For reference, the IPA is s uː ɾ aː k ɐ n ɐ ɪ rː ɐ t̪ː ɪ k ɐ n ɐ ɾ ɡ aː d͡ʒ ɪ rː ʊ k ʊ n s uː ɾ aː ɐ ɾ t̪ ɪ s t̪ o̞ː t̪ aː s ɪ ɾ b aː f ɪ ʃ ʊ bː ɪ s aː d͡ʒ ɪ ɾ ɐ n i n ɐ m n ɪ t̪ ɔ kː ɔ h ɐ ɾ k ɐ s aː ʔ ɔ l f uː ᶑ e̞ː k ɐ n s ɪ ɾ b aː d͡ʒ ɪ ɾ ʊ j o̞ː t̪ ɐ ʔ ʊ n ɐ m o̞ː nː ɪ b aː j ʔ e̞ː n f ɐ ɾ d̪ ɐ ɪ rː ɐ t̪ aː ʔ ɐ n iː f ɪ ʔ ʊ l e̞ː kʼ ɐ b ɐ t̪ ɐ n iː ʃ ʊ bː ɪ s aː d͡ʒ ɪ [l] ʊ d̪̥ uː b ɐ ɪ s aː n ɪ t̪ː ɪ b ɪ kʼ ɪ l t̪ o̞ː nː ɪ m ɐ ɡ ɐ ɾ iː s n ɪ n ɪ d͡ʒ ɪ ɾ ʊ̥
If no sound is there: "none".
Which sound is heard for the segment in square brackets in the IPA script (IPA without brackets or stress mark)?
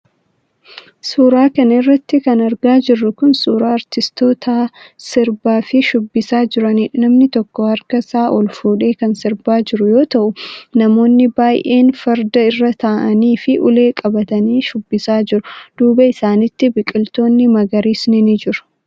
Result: ɾ